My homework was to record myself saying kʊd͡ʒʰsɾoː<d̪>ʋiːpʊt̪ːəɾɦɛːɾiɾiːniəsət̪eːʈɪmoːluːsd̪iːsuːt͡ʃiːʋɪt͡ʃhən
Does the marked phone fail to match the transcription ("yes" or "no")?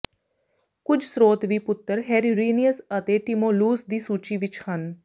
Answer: yes